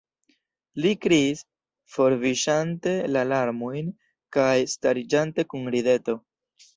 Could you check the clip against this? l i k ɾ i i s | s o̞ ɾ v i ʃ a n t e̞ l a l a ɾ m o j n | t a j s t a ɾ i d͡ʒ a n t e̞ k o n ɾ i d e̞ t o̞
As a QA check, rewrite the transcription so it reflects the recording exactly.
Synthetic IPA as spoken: l i k ɾ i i s | f o̞ ɾ v i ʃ a n t e̞ l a l a ɾ m o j n | k a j s t a ɾ i d͡ʒ a n t e̞ k u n ɾ i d e̞ t o̞